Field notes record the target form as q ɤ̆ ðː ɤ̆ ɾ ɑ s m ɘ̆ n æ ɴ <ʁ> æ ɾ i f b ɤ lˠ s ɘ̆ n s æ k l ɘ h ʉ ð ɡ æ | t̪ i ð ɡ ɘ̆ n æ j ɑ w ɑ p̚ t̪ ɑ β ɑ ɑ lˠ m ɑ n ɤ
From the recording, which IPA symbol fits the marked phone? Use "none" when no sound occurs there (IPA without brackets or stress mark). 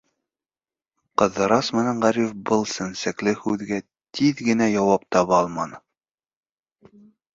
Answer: ʁ